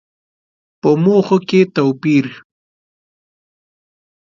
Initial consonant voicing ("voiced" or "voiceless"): voiceless